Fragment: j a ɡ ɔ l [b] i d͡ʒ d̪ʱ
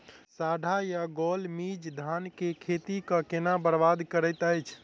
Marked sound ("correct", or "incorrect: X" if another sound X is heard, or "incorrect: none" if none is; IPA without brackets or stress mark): incorrect: m